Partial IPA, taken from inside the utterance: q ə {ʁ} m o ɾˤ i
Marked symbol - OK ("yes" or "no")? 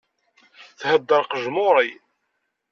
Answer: no